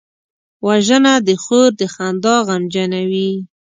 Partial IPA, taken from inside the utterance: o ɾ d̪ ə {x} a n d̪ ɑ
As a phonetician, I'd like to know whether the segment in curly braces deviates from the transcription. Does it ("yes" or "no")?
no